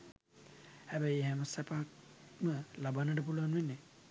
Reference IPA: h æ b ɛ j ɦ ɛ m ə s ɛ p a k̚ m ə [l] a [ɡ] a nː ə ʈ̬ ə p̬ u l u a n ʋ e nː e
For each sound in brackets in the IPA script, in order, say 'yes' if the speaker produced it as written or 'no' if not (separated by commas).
yes, no